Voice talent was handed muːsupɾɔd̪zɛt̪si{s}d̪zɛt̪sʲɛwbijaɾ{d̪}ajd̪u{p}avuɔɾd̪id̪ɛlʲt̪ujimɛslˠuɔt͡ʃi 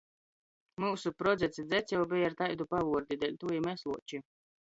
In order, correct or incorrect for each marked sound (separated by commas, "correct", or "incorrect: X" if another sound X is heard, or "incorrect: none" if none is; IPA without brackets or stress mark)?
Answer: incorrect: none, incorrect: t̪, correct